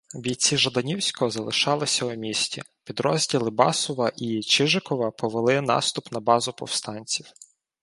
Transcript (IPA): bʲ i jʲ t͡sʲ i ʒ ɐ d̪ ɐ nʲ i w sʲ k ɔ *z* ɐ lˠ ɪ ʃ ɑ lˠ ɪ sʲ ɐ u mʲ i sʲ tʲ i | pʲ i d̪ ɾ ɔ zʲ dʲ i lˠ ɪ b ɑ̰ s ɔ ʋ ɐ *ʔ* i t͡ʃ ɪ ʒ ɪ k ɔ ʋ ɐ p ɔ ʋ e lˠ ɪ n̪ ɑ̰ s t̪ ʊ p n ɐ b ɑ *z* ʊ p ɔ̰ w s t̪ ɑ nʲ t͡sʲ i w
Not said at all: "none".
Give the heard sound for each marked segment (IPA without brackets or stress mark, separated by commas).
z, ʔ, z